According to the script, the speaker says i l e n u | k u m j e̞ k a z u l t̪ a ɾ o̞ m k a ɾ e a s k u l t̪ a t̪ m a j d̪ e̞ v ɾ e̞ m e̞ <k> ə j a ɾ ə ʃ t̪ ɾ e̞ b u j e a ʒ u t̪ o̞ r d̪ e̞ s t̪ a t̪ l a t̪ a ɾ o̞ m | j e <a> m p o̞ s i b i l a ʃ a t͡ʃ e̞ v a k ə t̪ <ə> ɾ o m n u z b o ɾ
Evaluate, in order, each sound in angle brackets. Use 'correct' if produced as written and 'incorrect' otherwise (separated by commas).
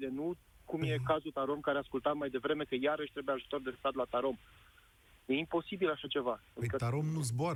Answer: correct, incorrect, incorrect